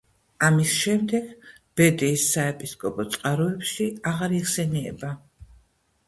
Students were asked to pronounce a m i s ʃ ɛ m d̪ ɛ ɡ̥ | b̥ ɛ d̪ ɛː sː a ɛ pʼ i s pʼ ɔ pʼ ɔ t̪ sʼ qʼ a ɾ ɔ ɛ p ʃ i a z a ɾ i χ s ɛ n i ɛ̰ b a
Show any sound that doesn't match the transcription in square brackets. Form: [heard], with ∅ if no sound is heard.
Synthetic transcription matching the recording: a m i s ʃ ɛ m d̪ ɛ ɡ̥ | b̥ ɛ d̪ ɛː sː a ɛ pʼ i s [kʼ] ɔ pʼ ɔ t̪ sʼ qʼ a ɾ ɔ ɛ p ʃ i a [ʁ] a ɾ i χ s ɛ n i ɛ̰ b a

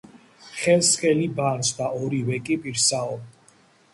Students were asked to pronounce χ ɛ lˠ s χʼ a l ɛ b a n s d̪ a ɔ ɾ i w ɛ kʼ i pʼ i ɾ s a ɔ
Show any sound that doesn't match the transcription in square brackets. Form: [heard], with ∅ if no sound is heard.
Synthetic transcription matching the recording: χ ɛ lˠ s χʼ [ɛ] l [i] b a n s d̪ a ɔ ɾ i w ɛ kʼ i pʼ i ɾ s a ɔ

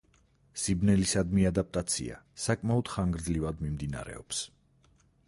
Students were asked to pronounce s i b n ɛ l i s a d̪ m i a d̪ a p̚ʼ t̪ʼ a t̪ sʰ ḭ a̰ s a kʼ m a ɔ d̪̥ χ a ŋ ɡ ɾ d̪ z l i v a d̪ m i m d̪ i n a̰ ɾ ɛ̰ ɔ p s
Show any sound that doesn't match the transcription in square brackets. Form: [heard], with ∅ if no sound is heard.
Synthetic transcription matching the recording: s i b n ɛ l i s a d̪ m i a d̪ a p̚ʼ t̪ʼ a t̪ sʰ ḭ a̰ s a kʼ m a ɔ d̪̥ χ a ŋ ɡ ɾ d̪ z l i v a d̪ m i m d̪ i n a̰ ɾ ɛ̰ ɔ p s

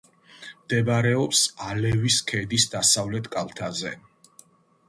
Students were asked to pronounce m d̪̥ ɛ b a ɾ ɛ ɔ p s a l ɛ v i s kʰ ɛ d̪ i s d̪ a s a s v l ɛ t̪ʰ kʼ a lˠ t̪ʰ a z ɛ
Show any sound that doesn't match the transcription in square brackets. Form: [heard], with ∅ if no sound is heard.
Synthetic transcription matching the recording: m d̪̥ ɛ b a ɾ ɛ ɔ p s a l ɛ v i s kʰ ɛ d̪ i s d̪ a s a [∅] v l ɛ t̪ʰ kʼ a lˠ t̪ʰ a z ɛ

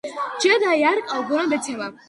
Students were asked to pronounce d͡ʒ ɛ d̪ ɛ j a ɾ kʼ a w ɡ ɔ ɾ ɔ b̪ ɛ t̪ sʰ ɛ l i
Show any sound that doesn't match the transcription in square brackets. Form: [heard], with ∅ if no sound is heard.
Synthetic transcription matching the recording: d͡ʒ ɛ d̪ [a] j a ɾ kʼ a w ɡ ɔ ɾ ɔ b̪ ɛ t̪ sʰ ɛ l [a]

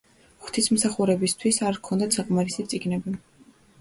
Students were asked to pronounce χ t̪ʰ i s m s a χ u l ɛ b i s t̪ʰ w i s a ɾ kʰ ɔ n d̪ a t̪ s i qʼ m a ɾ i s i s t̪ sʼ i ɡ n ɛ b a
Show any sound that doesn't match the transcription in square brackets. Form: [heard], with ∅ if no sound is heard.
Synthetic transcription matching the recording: χ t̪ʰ i s m s a χ u [ɾ] ɛ b i s t̪ʰ w i s a ɾ kʰ ɔ n d̪ a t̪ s [a] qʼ m a ɾ i s i [∅] t̪ sʼ i ɡ n ɛ b [i]

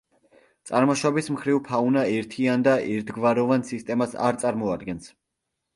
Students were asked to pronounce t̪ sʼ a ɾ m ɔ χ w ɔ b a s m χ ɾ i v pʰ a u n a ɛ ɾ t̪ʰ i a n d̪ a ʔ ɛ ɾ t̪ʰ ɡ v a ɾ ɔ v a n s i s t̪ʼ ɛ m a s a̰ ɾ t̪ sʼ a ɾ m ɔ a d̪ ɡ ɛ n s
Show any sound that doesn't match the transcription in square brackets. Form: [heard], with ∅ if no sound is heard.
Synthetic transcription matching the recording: t̪ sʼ a ɾ m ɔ [ʃ] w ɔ b [i] s m χ ɾ i v pʰ a u n a ɛ ɾ t̪ʰ i a n d̪ a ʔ ɛ ɾ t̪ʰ ɡ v a ɾ ɔ v a n s i s t̪ʼ ɛ m a s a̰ ɾ t̪ sʼ a ɾ m ɔ a d̪ ɡ ɛ n s

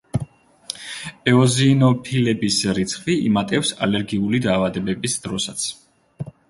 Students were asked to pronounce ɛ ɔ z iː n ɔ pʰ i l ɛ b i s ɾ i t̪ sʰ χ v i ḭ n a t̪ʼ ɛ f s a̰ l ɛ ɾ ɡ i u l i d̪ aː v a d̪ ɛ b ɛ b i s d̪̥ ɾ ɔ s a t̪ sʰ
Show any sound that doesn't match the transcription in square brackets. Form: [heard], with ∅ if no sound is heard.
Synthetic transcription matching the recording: ɛ ɔ z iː n ɔ pʰ i l ɛ b i s ɾ i t̪ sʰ χ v i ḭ [m] a t̪ʼ ɛ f s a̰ l ɛ ɾ ɡ i u l i d̪ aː v a d̪ ɛ b ɛ b i s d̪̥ ɾ ɔ s a t̪ sʰ

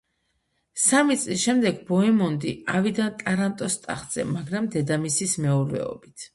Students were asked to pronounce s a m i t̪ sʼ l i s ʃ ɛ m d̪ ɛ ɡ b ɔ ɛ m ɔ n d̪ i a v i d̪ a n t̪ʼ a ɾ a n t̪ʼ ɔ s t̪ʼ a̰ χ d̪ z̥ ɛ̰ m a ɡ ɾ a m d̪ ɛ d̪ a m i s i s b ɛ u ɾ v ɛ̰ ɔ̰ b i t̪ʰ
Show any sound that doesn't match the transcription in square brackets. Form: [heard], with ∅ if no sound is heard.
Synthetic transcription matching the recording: s a m i t̪ sʼ l i s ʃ ɛ m d̪ ɛ ɡ b ɔ ɛ m ɔ n d̪ i a v i d̪ a n t̪ʼ a ɾ a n t̪ʼ ɔ s t̪ʼ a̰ χ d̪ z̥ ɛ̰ m a ɡ ɾ a m d̪ ɛ d̪ a m i s i s [m] ɛ u ɾ v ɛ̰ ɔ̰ b i t̪ʰ

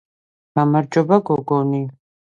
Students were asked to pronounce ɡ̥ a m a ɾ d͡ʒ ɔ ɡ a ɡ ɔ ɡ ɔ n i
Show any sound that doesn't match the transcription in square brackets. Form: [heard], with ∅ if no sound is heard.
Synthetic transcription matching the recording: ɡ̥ a m a ɾ d͡ʒ ɔ [b] a ɡ ɔ ɡ ɔ n i

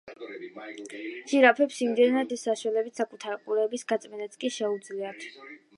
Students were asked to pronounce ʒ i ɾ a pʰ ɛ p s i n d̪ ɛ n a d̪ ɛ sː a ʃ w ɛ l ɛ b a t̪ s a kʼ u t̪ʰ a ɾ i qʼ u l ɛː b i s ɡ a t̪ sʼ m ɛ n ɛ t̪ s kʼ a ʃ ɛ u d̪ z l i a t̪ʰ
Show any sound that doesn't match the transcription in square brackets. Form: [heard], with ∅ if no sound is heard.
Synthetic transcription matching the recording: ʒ i ɾ a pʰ ɛ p s i [m] d̪ ɛ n a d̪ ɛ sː a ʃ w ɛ l ɛ b [i] t̪ s a kʼ u t̪ʰ a ɾ i qʼ u [ɾ] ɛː b i s ɡ a t̪ sʼ m ɛ n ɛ t̪ s kʼ [i] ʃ ɛ u d̪ z l i a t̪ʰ

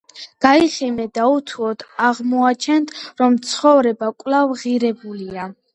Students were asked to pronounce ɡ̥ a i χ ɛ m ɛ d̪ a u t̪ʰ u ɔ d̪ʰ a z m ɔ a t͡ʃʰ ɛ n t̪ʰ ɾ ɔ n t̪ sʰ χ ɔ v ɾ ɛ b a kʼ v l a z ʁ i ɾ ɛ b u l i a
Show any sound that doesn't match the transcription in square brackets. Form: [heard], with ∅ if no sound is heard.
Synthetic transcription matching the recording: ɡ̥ a i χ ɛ m ɛ d̪ a u t̪ʰ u ɔ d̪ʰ a [ʁ] m ɔ a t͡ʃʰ ɛ n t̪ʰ ɾ ɔ [m] t̪ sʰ χ ɔ v ɾ ɛ b a kʼ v l a [v] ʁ i ɾ ɛ b u l i a

